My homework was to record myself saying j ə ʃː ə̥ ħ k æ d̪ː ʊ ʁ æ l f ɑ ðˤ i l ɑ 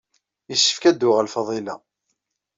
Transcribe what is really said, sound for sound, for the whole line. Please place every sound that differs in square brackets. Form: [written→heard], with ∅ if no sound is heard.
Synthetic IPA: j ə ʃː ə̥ [ħ→f] k æ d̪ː ʊ ʁ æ l f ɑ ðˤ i l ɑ